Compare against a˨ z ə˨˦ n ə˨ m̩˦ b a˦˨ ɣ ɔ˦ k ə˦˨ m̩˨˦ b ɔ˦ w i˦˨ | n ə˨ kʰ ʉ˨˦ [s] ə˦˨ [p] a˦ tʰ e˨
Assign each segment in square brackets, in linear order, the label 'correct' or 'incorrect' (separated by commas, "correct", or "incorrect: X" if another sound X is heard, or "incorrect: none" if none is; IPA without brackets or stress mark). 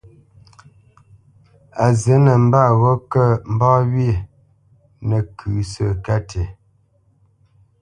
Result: correct, incorrect: k